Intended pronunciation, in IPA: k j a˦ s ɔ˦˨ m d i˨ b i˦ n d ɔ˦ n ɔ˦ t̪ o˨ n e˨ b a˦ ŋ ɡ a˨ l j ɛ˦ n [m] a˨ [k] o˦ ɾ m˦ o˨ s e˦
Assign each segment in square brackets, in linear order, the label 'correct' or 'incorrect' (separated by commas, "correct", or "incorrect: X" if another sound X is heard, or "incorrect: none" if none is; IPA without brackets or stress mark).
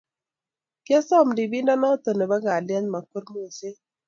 correct, correct